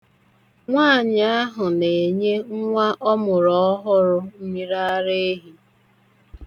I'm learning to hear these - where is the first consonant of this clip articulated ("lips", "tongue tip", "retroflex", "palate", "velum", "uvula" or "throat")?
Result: velum